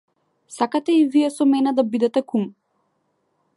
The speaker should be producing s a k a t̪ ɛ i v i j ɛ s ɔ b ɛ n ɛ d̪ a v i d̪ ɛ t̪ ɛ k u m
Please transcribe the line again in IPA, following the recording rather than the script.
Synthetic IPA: s a k a t̪ ɛ i v i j ɛ s ɔ m ɛ n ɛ d̪ a b i d̪ ɛ t̪ ɛ k u m